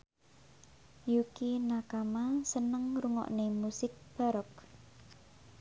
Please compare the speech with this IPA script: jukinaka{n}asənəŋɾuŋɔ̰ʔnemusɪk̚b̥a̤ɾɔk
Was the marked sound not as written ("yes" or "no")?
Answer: yes